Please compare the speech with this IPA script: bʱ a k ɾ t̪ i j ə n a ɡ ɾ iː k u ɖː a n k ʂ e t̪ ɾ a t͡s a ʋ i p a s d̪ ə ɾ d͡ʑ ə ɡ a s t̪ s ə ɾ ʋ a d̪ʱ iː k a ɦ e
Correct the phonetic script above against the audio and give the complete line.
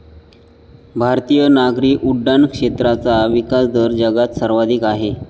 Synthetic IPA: bʱ a ɾ t̪ i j ə n a ɡ ɾ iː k u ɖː a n k ʂ e t̪ ɾ a t͡s a ʋ i k a s d̪ ə ɾ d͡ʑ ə ɡ a t̪ s ə ɾ ʋ a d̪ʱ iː k a ɦ e

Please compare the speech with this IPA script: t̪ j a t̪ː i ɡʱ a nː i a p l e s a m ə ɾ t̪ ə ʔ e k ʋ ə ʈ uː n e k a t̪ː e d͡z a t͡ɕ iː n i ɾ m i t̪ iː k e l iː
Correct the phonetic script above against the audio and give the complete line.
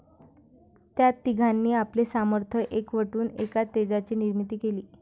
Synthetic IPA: t̪ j a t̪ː i ɡʱ a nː iː a p l e s a m ə ɾ t̪ʰ ə ʔ e k ʋ ə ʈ uː n e k a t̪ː e d͡z a t͡ɕ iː n i ɾ m i t̪ iː k e l iː

